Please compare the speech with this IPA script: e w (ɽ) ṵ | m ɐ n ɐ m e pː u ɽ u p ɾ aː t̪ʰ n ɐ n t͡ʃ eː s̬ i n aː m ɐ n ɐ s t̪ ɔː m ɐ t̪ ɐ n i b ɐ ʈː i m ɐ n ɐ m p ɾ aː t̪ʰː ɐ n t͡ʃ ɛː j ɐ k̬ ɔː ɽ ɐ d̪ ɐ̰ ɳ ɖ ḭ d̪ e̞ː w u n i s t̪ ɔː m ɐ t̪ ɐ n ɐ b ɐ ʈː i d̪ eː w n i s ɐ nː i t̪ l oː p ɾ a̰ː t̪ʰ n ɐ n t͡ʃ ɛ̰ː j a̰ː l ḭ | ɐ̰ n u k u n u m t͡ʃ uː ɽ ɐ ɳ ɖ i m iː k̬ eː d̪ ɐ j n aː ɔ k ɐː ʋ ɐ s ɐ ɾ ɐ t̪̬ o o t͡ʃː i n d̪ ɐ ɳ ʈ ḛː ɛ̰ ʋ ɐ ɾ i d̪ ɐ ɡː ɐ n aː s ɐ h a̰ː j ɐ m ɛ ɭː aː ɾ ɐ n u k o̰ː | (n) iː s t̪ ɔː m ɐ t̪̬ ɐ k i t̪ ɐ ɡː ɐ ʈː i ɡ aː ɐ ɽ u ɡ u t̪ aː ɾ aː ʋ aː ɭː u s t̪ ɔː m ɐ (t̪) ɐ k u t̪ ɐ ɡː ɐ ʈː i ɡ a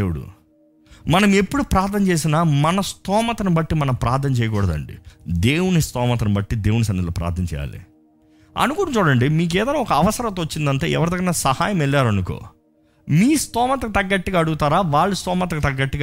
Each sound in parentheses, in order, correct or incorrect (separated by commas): correct, incorrect, correct